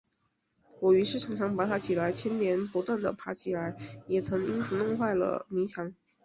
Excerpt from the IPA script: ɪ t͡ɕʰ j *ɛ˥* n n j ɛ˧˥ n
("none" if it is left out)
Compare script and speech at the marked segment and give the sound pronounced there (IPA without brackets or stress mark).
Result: ɛ˥